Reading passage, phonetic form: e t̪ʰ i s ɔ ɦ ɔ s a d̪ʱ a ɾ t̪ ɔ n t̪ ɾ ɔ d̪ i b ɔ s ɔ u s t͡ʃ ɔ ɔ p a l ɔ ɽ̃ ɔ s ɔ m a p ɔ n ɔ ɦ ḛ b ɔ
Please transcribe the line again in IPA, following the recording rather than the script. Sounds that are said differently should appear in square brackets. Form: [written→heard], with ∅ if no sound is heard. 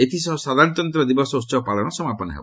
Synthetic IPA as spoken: e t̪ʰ i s ɔ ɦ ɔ s a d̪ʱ a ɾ t̪ ɔ n t̪ ɾ ɔ d̪ i b ɔ s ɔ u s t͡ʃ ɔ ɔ p a l ɔ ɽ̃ ɔ s ɔ m a p ɔ n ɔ ɦ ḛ b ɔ